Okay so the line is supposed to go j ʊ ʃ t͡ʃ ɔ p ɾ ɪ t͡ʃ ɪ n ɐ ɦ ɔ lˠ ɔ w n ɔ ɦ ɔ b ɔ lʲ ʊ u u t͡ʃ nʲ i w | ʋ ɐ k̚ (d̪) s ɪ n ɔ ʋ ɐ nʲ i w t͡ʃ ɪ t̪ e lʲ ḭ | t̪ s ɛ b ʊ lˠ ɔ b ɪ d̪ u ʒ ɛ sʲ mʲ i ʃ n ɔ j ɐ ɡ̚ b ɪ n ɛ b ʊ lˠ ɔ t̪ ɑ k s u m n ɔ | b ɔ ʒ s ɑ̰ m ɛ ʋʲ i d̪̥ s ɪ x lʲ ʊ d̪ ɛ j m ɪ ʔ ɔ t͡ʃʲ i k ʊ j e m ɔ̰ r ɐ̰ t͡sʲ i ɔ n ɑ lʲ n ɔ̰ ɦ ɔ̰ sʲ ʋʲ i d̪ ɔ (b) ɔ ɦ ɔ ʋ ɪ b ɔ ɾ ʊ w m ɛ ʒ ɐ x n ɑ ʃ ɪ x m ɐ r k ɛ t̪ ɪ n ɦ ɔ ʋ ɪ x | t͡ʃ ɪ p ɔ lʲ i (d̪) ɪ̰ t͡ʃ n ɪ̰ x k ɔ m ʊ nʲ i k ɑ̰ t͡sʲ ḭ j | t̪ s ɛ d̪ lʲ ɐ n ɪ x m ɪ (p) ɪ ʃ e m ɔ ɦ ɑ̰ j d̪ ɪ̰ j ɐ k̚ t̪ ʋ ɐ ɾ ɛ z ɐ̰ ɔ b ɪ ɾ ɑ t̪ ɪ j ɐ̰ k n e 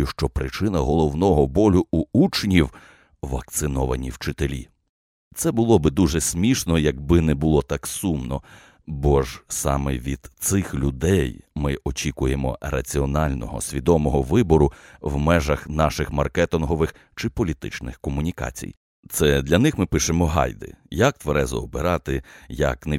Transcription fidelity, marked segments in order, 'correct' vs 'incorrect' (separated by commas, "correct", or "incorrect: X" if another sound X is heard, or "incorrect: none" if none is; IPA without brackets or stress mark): incorrect: t̪, incorrect: m, incorrect: t̪, correct